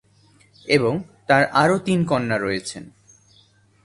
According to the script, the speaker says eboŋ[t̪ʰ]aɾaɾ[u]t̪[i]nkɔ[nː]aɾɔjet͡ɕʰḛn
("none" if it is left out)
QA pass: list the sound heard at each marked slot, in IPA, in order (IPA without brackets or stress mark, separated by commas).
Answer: t̪, o, i, nː